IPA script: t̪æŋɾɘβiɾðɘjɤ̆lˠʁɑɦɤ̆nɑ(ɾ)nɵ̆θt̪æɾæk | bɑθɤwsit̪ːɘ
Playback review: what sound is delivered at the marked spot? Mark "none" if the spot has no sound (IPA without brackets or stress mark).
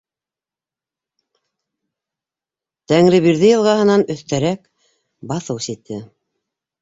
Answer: none